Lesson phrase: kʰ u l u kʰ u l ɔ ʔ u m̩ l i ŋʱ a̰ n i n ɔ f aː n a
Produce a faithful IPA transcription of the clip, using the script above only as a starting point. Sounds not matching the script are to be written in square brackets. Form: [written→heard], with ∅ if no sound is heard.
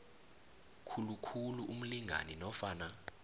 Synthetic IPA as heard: kʰ u l u kʰ u l [ɔ→u] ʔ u m̩ l i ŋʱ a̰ n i n ɔ f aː n a